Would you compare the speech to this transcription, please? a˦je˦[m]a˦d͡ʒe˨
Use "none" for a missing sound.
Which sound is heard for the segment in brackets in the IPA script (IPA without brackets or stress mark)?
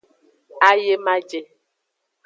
m